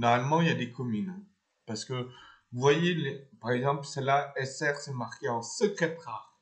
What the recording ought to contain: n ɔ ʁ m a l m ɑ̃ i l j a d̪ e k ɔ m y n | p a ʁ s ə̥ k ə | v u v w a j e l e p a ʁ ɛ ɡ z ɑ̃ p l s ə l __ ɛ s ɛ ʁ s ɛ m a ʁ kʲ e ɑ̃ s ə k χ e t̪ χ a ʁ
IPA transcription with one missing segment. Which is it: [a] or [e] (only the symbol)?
a